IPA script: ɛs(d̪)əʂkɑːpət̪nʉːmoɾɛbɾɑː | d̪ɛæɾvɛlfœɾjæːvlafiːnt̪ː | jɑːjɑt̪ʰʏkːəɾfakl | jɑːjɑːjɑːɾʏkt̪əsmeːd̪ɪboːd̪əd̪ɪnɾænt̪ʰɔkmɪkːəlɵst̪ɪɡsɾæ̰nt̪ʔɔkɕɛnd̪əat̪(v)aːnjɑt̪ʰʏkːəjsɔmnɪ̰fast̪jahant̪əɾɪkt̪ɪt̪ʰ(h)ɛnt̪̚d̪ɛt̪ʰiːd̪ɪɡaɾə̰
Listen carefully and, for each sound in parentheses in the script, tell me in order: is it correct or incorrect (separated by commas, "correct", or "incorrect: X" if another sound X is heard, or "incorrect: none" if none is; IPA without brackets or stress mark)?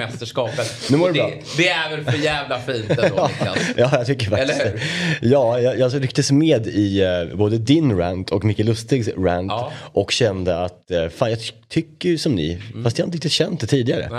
incorrect: t̪, incorrect: f, incorrect: ɕ